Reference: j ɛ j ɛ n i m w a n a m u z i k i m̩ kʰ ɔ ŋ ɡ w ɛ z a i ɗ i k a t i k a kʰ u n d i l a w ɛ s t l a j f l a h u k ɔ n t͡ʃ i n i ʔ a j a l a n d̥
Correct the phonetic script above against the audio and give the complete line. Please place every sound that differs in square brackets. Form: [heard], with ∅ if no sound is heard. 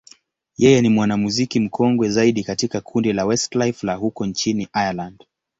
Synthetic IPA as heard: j ɛ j ɛ n i m w a n a m u z i k i m̩ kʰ ɔ ŋ ɡ w ɛ z a i ɗ i k a t i k a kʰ u n d i l a w ɛ s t l a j f l a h u k ɔ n t͡ʃ i n i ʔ a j a l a n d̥